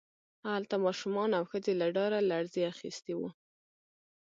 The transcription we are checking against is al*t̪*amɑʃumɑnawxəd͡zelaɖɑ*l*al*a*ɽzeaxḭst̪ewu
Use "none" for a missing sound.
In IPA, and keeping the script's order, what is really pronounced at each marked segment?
t̪, ɾ, a

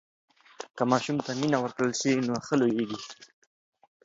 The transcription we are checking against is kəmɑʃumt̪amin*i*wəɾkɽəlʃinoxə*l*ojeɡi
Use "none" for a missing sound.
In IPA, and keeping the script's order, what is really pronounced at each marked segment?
a, l

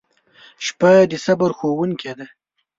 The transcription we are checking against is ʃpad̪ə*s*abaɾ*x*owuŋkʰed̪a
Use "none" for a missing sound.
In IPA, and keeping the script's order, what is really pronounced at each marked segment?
s, x

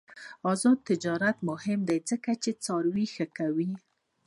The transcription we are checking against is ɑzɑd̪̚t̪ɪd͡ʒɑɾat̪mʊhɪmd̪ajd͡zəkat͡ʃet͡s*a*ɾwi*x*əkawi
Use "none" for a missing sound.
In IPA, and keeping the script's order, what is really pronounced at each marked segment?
ɑ, x

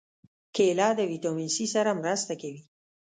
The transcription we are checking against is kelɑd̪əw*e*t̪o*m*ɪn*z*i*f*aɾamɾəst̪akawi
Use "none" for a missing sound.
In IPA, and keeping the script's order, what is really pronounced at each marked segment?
i, m, s, s

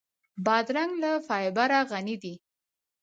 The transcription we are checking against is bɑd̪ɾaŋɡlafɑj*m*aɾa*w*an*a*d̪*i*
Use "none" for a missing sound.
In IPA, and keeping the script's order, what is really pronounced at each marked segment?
b, ɣ, i, i

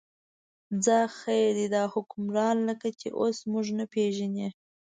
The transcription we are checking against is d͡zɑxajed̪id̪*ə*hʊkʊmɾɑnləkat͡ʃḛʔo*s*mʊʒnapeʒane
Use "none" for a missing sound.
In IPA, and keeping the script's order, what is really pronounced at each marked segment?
ɑ, s

